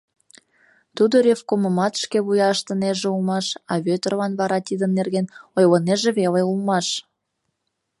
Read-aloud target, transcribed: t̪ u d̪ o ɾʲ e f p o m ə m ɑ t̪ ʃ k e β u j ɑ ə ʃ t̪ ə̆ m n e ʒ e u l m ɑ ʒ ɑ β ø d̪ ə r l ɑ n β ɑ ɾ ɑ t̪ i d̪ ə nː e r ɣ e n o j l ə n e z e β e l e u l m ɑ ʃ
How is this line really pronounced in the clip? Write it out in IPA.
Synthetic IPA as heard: t̪ u d̪ o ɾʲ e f k o m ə m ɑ t̪ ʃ k e β u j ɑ ə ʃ t̪ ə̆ n e ʒ e u l m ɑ ʃ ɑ β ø t̪ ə r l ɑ n β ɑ ɾ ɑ t̪ i d̪ ə nː e r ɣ e n o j l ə n e ʒ e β e l e u l m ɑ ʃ